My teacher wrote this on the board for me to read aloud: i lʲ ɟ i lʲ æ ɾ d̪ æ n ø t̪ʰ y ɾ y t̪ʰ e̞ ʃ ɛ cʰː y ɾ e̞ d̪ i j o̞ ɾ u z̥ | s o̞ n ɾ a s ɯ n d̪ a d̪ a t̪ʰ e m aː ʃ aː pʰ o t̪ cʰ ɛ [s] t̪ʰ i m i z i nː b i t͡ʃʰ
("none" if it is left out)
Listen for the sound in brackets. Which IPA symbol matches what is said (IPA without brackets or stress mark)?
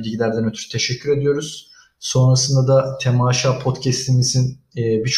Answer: s